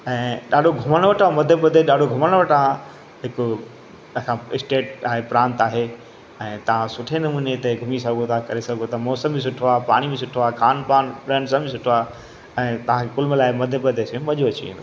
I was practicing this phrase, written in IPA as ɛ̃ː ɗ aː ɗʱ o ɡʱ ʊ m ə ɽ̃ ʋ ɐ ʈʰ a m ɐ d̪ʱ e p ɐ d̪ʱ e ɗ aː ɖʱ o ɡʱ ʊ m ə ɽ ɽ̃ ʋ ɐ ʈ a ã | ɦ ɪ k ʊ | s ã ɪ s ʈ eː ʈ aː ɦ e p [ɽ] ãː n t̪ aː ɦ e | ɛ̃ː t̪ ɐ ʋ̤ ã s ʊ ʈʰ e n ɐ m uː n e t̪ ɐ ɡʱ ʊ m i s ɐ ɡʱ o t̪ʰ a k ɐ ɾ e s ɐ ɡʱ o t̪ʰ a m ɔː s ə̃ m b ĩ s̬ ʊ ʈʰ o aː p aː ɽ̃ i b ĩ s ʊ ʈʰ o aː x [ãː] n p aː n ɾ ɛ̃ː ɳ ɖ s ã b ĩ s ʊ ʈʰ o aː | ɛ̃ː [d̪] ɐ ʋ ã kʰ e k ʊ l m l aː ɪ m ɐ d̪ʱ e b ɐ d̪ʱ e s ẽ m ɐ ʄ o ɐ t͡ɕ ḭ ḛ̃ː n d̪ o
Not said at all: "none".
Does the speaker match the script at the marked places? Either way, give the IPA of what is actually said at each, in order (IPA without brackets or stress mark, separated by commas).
ɾ, aː, t̪